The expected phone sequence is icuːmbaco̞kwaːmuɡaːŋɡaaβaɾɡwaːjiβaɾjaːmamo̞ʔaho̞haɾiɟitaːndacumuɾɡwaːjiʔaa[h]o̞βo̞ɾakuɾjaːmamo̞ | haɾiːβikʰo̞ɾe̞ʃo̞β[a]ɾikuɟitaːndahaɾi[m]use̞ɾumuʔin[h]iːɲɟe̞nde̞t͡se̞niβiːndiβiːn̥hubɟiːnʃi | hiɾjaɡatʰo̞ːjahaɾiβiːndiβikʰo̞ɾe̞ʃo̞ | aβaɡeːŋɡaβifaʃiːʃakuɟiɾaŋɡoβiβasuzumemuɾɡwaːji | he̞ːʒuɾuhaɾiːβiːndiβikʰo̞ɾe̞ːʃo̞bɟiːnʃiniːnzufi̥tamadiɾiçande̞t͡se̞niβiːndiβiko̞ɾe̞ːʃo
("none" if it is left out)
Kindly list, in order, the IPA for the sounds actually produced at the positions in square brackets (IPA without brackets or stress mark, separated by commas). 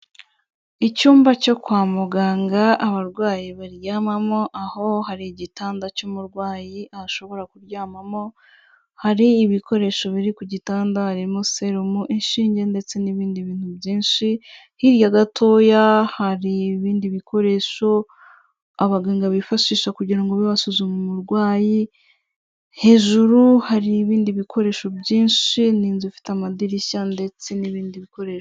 ʃ, i, m, ʃ